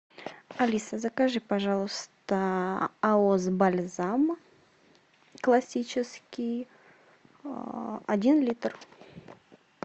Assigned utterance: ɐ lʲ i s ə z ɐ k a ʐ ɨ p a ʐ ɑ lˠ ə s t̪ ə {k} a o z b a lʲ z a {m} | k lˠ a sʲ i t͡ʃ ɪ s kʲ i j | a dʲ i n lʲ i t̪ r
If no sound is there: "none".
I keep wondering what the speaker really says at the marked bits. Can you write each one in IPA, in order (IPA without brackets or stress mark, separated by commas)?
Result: none, m